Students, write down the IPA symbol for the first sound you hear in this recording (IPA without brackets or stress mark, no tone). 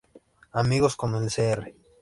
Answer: a